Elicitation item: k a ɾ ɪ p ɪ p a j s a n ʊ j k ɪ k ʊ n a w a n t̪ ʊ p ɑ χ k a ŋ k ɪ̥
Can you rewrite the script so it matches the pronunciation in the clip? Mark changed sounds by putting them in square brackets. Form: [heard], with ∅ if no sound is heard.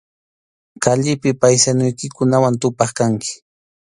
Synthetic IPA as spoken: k a [ʎ] ɪ p ɪ p a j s a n ʊ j k ɪ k ʊ n a w a n t̪ ʊ p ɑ χ k a ŋ k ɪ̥